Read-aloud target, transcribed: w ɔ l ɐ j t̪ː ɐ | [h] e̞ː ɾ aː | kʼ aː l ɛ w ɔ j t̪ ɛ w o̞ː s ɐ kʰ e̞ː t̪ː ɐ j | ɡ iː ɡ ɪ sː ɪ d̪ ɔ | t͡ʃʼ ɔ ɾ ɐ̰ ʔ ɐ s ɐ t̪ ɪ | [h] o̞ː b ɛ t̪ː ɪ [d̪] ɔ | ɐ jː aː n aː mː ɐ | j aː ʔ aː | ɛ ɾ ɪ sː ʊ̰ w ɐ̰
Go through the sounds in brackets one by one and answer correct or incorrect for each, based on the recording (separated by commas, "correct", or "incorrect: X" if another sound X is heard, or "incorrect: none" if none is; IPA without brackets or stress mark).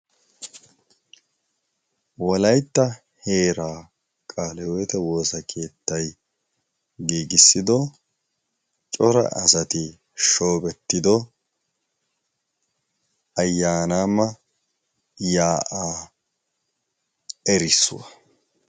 correct, incorrect: ʃ, correct